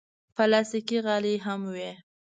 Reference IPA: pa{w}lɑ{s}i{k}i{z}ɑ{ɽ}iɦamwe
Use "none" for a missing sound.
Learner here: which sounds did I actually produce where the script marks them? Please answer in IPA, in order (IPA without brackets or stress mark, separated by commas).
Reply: none, s, k, ɣ, l